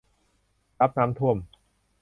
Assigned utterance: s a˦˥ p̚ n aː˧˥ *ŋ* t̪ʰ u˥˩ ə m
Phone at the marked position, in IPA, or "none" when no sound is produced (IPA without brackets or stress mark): m